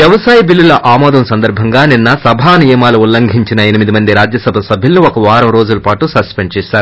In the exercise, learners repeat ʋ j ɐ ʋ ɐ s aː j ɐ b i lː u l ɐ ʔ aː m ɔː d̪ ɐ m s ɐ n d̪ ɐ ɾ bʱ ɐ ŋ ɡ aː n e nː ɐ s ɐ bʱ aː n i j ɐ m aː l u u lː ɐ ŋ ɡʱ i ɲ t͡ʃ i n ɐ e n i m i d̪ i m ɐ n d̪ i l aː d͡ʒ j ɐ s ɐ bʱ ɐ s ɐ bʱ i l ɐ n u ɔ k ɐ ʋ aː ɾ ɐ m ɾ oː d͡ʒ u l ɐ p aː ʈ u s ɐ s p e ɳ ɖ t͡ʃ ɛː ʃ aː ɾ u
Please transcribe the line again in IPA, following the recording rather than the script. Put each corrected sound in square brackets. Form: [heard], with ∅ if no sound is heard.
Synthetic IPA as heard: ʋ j ɐ ʋ ɐ s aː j ɐ b i lː u l ɐ ʔ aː m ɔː d̪ ɐ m s ɐ n d̪ ɐ ɾ bʱ ɐ ŋ ɡ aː n [i] nː ɐ s ɐ bʱ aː n i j ɐ m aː l u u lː ɐ ŋ ɡʱ i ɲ t͡ʃ i n ɐ e n i m i d̪ i m ɐ n d̪ i [ɾ] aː d͡ʒ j ɐ s ɐ bʱ ɐ s ɐ bʱ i l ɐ n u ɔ k ɐ ʋ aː ɾ ɐ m ɾ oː d͡ʒ u l ɐ p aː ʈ u s ɐ s p e ɳ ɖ t͡ʃ ɛː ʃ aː ɾ u